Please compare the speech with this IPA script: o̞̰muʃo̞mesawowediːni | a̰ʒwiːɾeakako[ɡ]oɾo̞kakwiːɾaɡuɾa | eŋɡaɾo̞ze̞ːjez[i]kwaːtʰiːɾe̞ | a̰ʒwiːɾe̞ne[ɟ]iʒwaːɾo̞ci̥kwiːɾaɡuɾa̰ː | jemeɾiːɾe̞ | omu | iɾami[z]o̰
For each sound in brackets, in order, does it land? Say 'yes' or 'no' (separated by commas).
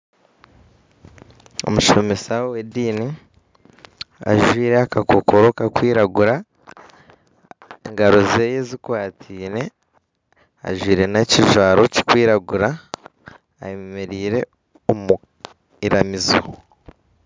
no, yes, no, yes